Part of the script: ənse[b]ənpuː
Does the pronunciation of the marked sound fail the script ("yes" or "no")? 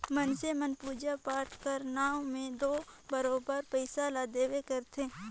yes